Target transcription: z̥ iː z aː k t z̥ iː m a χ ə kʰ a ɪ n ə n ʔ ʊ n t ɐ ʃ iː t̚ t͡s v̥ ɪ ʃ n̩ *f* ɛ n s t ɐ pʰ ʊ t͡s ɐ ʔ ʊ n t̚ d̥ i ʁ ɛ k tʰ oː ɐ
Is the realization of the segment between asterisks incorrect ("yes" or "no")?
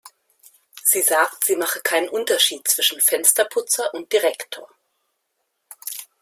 no